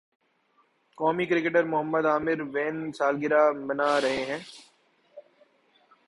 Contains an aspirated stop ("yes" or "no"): no